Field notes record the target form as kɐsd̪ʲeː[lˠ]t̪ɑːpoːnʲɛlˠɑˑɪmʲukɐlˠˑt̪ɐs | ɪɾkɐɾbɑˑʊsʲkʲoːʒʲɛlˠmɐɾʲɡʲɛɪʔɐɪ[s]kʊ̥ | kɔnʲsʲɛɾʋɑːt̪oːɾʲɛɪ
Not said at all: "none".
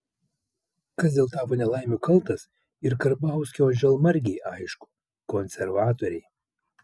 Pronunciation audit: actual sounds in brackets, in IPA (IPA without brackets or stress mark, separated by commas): lˠ, ʃ